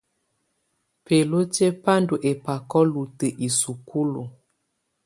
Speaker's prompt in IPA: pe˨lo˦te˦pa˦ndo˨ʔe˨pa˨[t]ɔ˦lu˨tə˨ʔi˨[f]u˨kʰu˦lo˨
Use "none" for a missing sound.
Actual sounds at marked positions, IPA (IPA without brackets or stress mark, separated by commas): k, s